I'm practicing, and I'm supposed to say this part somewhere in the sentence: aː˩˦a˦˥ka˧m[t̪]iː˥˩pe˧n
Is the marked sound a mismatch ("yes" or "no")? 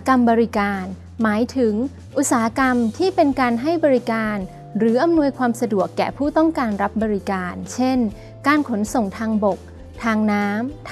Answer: yes